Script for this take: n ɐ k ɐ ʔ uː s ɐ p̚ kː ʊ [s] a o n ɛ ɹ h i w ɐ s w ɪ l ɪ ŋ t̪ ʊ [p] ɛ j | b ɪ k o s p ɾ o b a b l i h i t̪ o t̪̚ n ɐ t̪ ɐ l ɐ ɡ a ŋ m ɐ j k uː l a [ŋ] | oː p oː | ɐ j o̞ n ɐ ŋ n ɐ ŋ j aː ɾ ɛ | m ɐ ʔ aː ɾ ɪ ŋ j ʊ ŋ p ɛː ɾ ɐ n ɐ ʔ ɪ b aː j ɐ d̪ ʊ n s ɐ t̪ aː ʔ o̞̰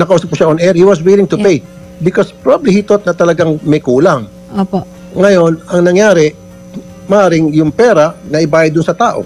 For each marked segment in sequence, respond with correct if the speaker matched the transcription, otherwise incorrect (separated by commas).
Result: incorrect, correct, correct